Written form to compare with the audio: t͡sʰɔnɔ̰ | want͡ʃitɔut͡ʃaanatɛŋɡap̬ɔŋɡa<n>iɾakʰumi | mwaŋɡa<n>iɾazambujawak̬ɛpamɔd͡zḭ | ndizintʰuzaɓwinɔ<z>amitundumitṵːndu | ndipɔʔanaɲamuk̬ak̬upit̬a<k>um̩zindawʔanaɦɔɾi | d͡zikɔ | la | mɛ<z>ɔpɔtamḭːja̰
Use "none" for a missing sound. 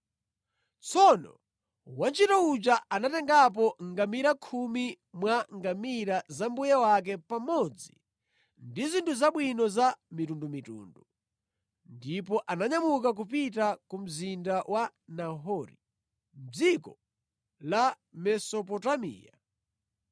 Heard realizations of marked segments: m, m, z, k, s

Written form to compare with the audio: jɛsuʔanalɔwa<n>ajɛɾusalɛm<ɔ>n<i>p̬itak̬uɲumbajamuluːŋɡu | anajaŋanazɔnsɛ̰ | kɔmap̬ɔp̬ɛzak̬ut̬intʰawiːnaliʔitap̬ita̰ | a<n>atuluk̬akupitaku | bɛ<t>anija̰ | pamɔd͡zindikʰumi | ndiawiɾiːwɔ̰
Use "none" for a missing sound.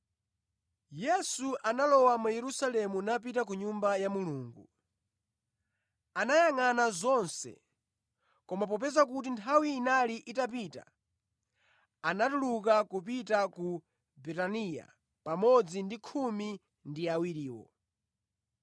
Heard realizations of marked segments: m, u, a, n, t

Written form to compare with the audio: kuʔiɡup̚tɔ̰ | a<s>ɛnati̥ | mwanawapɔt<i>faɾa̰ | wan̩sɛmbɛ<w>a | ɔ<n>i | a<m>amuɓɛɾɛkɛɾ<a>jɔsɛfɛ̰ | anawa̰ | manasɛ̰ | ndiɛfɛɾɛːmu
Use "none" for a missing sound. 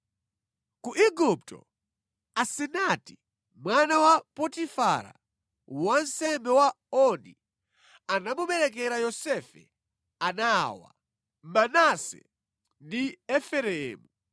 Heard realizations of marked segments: s, i, w, n, n, a

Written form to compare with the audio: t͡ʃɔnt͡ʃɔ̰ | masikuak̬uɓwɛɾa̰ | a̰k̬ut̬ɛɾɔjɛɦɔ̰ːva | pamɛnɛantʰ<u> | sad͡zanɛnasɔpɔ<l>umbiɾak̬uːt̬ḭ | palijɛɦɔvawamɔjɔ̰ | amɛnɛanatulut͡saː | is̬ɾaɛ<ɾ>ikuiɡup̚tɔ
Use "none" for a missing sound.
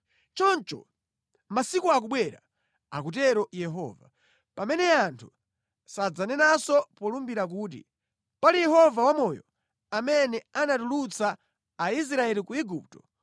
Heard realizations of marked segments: u, l, l

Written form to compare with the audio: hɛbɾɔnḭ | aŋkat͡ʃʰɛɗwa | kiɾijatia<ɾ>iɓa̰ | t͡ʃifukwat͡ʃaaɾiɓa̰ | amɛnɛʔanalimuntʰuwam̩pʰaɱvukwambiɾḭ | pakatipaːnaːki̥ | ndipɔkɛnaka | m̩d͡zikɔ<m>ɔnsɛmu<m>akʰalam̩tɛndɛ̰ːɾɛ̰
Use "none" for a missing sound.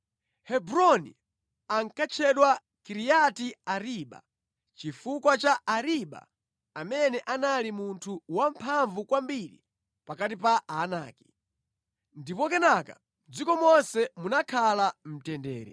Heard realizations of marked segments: ɾ, m, n

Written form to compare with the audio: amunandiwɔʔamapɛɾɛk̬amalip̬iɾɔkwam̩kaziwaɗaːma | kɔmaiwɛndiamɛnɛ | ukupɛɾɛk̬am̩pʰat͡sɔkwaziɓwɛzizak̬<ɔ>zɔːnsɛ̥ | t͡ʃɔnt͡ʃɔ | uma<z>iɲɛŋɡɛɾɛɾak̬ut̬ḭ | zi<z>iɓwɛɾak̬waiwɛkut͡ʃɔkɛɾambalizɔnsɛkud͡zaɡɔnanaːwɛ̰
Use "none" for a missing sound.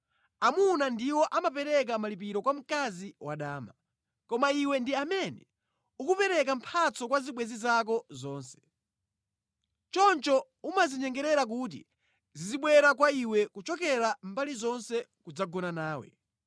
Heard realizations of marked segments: ɔ, z, z

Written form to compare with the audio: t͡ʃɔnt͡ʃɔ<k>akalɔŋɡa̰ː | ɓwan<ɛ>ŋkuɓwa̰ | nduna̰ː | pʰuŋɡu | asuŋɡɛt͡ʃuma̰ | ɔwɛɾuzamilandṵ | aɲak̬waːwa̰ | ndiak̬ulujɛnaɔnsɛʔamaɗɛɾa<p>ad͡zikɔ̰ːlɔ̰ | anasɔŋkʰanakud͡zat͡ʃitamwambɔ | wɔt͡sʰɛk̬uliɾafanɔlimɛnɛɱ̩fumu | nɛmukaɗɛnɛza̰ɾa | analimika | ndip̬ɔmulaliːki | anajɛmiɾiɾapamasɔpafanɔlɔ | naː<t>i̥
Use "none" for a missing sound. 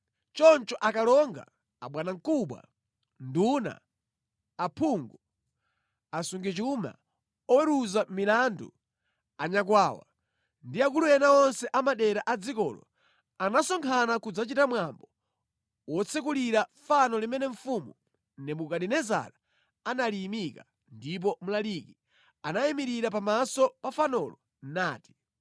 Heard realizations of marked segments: ʔ, a, ʔ, t

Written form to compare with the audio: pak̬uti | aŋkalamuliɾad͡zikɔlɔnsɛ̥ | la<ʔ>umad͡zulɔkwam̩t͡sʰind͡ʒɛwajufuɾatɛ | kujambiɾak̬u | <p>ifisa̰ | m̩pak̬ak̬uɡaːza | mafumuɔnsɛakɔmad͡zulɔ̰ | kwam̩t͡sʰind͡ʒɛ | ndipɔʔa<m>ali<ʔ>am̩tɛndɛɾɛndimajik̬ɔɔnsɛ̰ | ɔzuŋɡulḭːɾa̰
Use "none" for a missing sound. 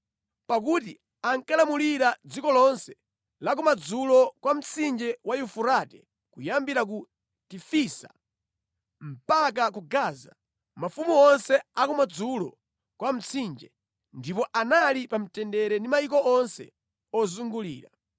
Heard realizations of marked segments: k, t, n, p

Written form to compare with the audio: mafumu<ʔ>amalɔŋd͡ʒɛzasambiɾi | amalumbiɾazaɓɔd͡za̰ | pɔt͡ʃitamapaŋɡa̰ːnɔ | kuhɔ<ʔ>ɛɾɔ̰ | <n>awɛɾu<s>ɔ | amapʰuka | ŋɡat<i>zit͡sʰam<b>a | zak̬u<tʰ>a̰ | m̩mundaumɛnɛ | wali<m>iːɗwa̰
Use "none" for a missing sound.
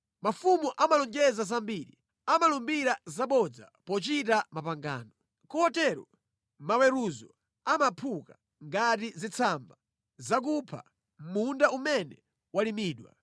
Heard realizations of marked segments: ʔ, t, m, z, i, b, pʰ, m

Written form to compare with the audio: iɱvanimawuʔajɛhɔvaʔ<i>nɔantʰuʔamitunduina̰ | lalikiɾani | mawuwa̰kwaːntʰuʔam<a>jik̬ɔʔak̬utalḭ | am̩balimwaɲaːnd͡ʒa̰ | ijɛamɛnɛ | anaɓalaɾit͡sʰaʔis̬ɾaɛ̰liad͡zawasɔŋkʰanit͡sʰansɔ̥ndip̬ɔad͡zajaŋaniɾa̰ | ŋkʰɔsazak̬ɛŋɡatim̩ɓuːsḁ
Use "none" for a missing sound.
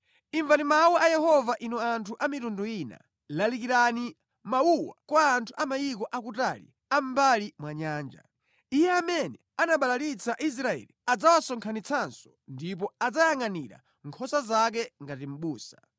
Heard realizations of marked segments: i, a

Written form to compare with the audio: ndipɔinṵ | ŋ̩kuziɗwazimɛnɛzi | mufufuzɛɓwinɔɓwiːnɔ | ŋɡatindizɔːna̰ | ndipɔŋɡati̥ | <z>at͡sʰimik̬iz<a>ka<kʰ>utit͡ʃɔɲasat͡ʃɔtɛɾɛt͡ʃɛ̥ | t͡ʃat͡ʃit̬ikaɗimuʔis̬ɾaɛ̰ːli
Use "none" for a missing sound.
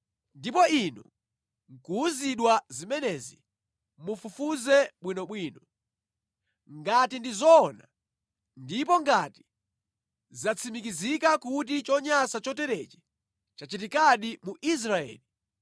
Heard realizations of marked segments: z, i, k

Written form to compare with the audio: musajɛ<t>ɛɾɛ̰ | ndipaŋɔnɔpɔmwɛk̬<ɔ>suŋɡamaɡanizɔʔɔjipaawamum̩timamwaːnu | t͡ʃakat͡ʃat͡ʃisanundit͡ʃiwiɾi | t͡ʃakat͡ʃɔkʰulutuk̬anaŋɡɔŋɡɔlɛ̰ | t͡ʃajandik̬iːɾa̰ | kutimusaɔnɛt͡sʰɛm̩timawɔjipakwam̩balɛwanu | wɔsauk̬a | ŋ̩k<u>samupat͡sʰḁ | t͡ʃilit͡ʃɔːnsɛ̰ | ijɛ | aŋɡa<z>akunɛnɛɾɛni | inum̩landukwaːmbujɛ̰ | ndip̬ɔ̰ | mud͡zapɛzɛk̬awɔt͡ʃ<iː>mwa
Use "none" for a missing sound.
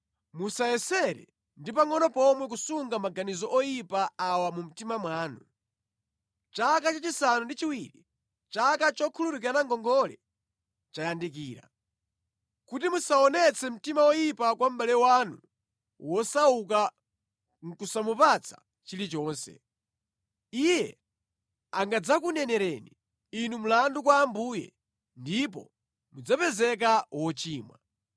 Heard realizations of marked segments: s, u, u, d͡z, iː

